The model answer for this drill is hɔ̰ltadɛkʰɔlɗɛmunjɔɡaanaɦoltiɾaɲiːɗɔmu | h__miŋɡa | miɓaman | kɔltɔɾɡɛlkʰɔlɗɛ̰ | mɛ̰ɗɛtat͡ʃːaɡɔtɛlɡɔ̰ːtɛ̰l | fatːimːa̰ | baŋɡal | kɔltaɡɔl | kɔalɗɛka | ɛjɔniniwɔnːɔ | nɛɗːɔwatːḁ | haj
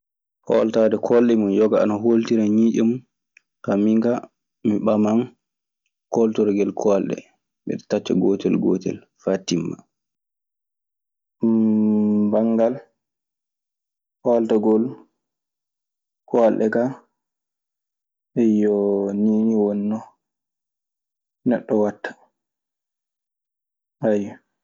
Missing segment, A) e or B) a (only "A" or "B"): B